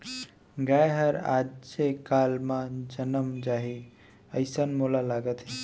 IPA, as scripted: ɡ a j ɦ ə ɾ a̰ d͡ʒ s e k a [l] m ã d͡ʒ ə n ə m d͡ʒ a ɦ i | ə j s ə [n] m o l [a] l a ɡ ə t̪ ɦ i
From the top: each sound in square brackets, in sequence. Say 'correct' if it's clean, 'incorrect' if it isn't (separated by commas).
correct, correct, correct